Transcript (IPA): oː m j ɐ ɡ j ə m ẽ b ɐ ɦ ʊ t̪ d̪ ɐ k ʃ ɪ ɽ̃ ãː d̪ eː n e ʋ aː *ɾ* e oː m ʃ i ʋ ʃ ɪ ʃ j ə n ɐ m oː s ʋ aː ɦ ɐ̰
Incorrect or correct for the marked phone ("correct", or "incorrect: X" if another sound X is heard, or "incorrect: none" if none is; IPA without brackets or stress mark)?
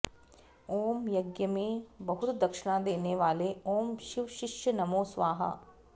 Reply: incorrect: l